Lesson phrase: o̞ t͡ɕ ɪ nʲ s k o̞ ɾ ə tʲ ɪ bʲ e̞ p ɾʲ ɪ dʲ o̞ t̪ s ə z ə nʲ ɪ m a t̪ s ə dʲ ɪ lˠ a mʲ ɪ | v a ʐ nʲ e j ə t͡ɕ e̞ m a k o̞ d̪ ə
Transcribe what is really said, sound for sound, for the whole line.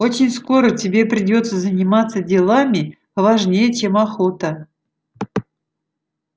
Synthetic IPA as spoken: o̞ t͡ɕ ɪ nʲ s k o̞ ɾ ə tʲ ɪ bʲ e̞ p ɾʲ ɪ dʲ o̞ t̪ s ə z ə nʲ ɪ m a t̪ s ə dʲ ɪ lˠ a mʲ ɪ | v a ʐ nʲ e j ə t͡ɕ e̞ m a x o̞ t̪ ə